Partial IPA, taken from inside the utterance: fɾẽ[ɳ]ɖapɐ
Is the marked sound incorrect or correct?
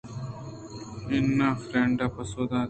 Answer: correct